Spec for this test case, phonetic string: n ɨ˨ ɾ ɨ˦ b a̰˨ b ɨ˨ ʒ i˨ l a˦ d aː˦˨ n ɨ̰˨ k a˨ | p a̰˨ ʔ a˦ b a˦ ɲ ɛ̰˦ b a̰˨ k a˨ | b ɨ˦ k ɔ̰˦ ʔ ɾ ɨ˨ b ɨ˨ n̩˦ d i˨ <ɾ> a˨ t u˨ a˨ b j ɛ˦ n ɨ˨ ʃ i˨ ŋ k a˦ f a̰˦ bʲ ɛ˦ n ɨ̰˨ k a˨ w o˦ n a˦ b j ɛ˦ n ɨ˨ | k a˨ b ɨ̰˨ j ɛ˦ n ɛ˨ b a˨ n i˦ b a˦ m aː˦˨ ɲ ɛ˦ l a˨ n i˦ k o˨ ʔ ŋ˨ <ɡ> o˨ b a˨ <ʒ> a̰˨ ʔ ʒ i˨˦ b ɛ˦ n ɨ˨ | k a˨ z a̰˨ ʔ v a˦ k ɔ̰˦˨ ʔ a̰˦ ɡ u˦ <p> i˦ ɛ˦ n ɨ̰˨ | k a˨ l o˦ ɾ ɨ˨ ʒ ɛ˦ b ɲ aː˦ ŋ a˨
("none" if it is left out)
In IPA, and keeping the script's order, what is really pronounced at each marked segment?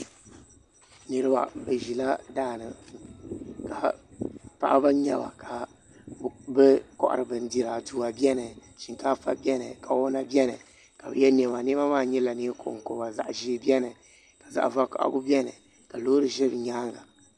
ɾ, k, z, b

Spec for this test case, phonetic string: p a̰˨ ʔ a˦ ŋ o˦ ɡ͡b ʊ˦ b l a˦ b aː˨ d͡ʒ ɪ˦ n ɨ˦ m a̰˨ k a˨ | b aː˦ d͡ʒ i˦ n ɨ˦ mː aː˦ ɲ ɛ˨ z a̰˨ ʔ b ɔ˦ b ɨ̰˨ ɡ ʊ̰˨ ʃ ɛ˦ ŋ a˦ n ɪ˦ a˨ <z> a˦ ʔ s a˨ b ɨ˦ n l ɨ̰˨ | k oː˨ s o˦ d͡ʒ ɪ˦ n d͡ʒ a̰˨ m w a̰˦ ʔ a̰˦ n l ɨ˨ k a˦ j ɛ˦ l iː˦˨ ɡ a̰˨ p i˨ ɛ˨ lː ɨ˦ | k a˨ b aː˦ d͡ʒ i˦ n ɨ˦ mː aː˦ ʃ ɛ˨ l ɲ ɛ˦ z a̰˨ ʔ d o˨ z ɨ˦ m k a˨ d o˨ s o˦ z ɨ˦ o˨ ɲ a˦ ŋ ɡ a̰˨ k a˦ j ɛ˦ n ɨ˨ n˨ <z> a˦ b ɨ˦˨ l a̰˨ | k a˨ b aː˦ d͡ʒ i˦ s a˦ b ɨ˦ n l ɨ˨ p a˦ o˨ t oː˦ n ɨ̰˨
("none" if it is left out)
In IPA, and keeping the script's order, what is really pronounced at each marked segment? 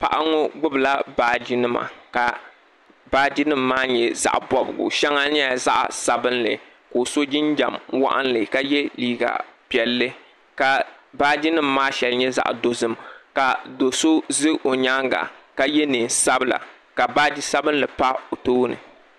z, s

